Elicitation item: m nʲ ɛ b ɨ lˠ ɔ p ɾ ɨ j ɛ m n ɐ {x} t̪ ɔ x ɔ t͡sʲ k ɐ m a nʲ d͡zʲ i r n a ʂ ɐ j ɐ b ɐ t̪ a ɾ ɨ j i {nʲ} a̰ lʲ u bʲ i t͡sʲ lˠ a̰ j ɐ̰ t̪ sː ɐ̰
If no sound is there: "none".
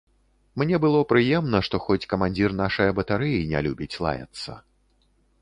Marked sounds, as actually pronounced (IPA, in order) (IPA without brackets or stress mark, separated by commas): ʂ, nʲ